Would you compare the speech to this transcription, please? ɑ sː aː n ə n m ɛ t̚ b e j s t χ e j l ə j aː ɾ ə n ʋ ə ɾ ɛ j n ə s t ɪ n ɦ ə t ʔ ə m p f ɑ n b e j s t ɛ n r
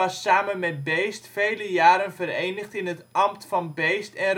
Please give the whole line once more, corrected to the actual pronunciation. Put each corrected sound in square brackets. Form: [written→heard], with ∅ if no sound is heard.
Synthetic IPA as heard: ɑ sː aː [n→m] ə n m ɛ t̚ b e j s t [χ→f] e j l ə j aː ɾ ə n [ʋ→v] ə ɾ [ɛ→e] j n ə [s→χ] t ɪ n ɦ ə t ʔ [ə→ɑ] m [p→t] f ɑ n b e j s t ɛ n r